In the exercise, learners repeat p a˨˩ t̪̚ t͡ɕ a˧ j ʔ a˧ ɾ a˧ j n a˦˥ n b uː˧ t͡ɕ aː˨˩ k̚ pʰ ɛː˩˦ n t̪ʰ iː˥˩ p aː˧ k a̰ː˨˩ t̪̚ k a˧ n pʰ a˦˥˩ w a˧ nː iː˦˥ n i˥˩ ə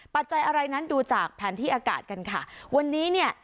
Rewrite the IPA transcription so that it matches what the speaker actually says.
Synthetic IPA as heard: p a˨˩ t̪̚ t͡ɕ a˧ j ʔ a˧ ɾ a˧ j n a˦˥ n d uː˧ t͡ɕ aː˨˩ k̚ pʰ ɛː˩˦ n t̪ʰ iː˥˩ ʔ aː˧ k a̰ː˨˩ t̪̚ k a˧ n kʰ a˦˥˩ w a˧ nː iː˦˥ n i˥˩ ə